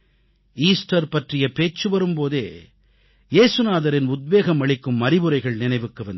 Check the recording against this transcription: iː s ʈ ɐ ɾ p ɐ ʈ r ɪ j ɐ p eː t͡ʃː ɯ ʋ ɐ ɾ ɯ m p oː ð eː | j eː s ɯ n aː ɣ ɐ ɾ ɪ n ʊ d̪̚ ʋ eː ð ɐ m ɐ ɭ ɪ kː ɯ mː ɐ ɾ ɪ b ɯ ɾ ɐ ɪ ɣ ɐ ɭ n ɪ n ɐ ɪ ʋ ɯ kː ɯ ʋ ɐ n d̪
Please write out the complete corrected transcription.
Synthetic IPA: iː s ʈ ɐ ɾ p ɐ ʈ r ɪ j ɐ p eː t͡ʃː ɯ ʋ ɐ ɾ ɯ m p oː ð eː | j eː s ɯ n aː ð ɐ ɾ ɪ n ʊ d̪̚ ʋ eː ɣ ɐ m ɐ ɭ ɪ kː ɯ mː ɐ ɾ ɪ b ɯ ɾ ɐ ɪ ɣ ɐ ɭ n ɪ n ɐ ɪ ʋ ɯ kː ɯ ʋ ɐ n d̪